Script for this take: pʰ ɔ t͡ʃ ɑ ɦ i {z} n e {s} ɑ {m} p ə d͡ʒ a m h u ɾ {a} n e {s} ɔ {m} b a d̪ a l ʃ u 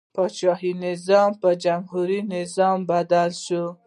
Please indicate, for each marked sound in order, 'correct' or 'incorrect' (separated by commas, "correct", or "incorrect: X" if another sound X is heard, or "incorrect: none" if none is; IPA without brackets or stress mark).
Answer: incorrect: none, incorrect: z, correct, incorrect: i, incorrect: z, correct